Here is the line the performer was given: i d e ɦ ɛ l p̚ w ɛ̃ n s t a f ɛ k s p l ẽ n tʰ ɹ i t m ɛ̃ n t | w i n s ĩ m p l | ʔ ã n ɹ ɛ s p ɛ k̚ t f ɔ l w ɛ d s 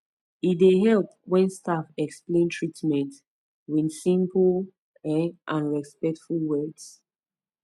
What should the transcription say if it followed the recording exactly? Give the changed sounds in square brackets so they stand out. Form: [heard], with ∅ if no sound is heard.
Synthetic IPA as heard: i d e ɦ ɛ l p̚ w ɛ̃ n s t a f ɛ k s p l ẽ n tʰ ɹ i t m ɛ̃ n t | w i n s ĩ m p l | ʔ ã n ɹ ɛ s p ɛ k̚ t f [u] l w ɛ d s